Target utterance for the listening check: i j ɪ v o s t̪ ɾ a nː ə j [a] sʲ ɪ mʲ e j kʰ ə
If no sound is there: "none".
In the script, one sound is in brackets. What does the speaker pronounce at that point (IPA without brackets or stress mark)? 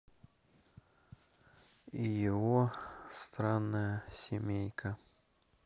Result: ə